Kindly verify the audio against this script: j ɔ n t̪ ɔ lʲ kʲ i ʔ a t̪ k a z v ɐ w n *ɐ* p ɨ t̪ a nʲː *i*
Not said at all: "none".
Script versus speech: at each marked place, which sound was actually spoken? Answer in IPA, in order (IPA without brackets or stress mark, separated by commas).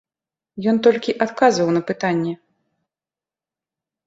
ɐ, ɛ